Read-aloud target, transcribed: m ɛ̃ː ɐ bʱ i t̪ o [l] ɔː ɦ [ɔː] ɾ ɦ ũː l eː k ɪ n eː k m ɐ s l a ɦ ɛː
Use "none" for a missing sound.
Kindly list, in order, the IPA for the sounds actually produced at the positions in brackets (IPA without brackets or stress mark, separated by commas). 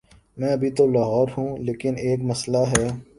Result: l, ɔː